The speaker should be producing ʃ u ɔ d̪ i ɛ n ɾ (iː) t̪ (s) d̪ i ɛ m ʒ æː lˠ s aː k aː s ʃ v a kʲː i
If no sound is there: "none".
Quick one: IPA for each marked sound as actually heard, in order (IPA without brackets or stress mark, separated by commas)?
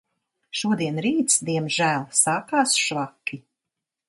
iː, s